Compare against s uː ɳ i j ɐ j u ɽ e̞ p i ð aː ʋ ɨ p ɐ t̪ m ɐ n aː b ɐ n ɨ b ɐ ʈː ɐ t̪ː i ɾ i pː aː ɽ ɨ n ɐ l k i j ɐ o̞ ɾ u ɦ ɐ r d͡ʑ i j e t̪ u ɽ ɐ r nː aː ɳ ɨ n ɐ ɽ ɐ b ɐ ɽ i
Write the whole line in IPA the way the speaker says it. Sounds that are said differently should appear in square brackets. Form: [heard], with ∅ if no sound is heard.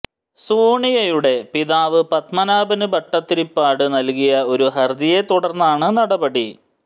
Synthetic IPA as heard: s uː ɳ i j ɐ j u ɽ e̞ p i ð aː ʋ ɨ p ɐ t̪ m ɐ n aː b ɐ n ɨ b ɐ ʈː ɐ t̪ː i ɾ i pː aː ɽ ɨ n ɐ l k i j ɐ o̞ ɾ u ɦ ɐ r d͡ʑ i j e t̪ u ɽ ɐ r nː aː ɳ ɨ n ɐ ɽ ɐ b ɐ ɽ i